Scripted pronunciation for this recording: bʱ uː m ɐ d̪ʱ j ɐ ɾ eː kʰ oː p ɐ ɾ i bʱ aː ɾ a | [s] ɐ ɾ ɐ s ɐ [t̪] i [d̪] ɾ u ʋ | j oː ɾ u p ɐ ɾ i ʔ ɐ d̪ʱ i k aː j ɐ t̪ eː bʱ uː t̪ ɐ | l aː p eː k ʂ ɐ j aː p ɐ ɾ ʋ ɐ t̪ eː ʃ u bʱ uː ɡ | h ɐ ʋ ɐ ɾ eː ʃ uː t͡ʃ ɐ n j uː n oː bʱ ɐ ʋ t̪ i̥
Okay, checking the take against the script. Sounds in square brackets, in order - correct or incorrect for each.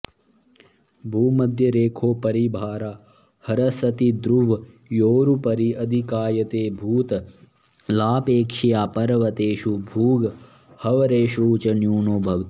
incorrect: h, correct, correct

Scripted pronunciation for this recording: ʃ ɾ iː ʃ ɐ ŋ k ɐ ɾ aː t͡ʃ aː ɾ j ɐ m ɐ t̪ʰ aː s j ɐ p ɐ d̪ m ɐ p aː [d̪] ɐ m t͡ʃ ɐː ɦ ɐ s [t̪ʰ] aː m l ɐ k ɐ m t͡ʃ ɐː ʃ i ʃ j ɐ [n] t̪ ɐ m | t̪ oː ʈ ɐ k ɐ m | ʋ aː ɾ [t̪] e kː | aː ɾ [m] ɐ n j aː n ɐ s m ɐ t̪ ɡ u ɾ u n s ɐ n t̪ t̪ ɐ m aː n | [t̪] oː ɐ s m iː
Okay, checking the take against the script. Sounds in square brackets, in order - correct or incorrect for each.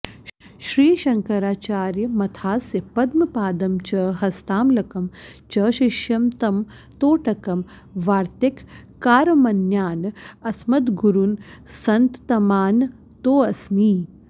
correct, incorrect: t̪, incorrect: m, correct, correct, correct

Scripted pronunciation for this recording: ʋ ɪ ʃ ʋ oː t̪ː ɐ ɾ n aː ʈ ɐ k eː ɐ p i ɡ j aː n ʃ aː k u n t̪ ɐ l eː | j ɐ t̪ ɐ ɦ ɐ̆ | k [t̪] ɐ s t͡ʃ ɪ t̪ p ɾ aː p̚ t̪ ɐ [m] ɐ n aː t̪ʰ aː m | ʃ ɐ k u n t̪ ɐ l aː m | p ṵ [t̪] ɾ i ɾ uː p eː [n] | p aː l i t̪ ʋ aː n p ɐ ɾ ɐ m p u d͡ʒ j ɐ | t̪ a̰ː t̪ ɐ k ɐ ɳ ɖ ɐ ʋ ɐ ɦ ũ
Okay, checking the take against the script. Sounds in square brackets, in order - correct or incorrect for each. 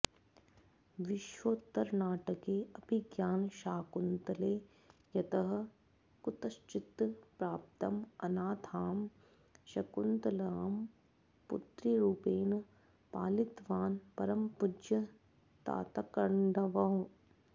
correct, correct, correct, correct

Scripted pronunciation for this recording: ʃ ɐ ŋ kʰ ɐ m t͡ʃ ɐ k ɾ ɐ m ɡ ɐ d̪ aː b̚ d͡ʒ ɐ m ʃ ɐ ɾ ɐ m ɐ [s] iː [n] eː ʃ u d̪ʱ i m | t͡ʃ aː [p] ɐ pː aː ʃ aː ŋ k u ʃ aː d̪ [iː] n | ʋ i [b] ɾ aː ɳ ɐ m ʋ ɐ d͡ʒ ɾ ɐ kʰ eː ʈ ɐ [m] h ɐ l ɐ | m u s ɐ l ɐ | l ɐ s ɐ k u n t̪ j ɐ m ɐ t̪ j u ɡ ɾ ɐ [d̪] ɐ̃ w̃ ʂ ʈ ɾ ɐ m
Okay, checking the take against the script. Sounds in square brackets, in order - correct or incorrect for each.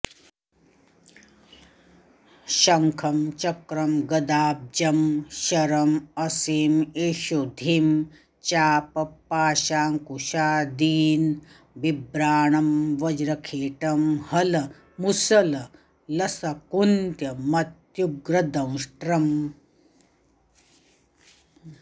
correct, incorrect: m, correct, correct, correct, correct, correct

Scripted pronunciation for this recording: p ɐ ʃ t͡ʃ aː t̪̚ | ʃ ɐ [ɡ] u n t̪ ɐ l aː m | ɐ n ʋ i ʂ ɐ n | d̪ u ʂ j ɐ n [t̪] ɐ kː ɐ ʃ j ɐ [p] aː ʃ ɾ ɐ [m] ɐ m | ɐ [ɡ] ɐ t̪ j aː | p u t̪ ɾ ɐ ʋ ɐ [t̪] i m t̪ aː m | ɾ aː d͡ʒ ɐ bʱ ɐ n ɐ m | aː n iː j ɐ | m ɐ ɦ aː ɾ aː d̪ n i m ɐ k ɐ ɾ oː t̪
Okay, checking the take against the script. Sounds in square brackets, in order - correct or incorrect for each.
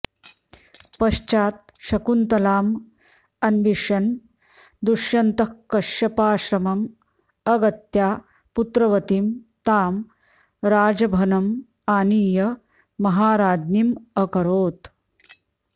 incorrect: k, correct, correct, correct, correct, correct

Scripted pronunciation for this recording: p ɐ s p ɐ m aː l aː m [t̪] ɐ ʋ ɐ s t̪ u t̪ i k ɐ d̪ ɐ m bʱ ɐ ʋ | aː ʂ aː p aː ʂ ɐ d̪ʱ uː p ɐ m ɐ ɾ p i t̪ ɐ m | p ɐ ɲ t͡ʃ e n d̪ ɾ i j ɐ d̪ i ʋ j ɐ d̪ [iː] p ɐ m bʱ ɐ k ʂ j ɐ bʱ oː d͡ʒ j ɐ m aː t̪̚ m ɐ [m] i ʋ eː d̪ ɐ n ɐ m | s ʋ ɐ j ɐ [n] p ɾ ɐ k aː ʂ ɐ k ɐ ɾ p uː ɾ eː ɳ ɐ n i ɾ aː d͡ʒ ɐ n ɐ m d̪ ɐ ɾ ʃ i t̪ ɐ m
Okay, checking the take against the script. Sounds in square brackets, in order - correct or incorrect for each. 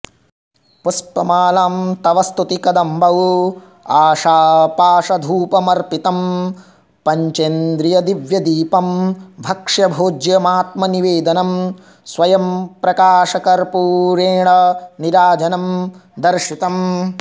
correct, correct, incorrect: n, incorrect: m

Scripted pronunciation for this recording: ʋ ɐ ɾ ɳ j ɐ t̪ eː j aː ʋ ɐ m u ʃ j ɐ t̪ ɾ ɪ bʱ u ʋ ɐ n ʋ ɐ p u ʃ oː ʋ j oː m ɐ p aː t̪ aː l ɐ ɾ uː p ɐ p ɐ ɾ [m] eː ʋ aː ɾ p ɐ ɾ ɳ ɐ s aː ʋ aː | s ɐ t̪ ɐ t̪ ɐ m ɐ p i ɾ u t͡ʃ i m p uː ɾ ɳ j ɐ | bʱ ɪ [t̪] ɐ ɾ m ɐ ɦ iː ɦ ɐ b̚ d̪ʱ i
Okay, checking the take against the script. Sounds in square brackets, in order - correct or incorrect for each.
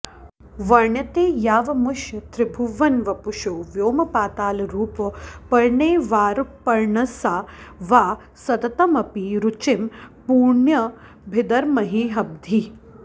incorrect: ɳ, incorrect: d̪

